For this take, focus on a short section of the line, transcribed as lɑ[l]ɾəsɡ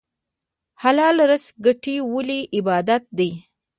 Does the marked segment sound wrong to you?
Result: no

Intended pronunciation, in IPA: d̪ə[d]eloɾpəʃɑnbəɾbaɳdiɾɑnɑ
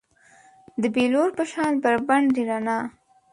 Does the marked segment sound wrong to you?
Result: yes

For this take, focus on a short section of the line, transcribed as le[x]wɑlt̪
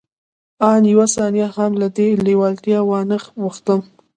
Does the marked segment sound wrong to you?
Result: yes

